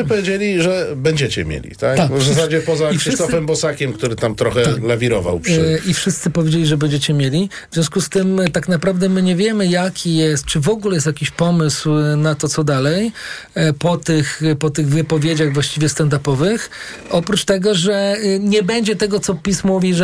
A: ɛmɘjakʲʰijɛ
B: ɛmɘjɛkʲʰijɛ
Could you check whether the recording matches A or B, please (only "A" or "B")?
A